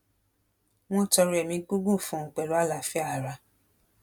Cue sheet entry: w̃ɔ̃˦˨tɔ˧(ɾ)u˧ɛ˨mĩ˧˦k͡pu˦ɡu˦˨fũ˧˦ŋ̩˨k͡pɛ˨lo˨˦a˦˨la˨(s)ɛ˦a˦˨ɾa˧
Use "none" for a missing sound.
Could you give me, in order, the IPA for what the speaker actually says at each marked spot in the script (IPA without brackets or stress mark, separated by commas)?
ɾ, f